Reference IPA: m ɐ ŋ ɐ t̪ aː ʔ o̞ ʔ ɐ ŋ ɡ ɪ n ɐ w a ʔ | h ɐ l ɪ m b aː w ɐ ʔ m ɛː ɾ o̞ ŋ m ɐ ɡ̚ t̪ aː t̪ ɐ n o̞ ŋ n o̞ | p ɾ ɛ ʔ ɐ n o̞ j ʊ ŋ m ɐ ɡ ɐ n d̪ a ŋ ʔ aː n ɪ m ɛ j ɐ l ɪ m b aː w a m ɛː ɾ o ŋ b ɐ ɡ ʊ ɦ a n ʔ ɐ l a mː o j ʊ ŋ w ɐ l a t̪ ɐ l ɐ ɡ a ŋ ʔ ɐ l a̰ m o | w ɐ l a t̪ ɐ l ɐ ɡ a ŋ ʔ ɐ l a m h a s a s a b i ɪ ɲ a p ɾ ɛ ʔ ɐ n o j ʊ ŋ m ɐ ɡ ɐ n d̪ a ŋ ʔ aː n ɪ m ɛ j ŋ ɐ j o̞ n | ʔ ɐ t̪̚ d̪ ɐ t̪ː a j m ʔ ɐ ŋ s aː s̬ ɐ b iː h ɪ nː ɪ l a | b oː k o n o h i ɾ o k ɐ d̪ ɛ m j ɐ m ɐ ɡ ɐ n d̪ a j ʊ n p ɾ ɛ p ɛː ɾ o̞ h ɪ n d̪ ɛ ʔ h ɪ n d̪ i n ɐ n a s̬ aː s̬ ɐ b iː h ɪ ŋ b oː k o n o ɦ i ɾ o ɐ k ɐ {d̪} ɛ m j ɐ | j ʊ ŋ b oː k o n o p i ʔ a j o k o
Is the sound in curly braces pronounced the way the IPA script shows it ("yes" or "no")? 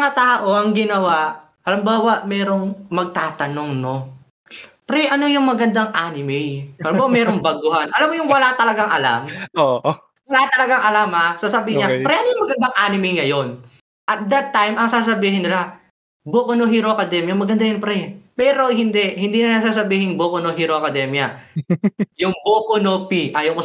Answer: yes